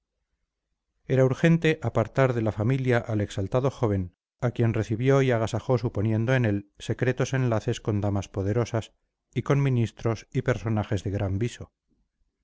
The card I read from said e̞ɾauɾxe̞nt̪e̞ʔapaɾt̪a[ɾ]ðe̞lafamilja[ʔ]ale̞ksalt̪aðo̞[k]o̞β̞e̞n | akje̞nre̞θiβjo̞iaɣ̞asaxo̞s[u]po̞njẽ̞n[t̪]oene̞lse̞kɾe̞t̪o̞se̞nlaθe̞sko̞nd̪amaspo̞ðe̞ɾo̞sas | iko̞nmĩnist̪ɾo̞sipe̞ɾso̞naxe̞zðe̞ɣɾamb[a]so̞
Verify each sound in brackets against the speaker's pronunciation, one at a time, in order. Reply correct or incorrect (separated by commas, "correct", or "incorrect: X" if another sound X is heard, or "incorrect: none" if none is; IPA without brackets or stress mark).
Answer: correct, correct, incorrect: x, correct, incorrect: d̪, incorrect: i